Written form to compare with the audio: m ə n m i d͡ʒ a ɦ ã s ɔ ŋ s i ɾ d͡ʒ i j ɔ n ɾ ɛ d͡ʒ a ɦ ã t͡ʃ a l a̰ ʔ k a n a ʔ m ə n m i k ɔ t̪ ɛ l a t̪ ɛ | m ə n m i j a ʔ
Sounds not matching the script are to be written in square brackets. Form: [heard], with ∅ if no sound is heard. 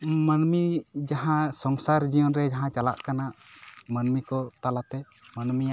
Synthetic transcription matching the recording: m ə n m i d͡ʒ a ɦ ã s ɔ ŋ s [a] ɾ d͡ʒ i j ɔ n ɾ ɛ d͡ʒ a ɦ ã t͡ʃ a l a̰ ʔ k a n a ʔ m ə n m i k ɔ t̪ [a] l a t̪ ɛ | m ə n m i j a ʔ